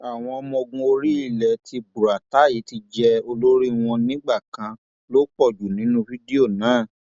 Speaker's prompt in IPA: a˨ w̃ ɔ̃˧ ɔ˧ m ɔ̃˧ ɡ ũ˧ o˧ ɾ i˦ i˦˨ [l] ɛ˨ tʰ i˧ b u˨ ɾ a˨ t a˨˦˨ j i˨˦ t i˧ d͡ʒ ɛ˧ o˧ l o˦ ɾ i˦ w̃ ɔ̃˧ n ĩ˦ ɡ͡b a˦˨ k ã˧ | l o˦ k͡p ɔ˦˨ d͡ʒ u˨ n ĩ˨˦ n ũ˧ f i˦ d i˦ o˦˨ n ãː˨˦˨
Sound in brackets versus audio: correct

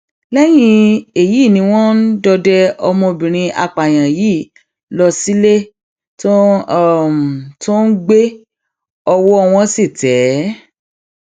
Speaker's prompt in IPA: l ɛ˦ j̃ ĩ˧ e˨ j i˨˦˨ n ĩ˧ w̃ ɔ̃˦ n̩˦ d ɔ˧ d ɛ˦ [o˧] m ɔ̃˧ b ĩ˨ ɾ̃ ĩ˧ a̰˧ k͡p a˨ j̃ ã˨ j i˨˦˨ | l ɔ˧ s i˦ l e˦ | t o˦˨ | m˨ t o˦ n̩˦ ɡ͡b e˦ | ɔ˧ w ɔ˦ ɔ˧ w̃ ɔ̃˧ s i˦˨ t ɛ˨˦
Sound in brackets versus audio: incorrect: ɔ˧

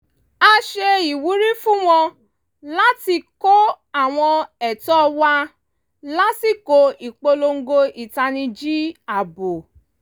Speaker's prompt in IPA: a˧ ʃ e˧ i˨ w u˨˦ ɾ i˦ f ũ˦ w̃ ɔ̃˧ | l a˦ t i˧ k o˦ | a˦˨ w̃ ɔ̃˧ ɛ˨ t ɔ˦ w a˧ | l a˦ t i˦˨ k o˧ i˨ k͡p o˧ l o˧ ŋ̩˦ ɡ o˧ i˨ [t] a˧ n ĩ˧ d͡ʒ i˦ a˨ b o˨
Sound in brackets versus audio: correct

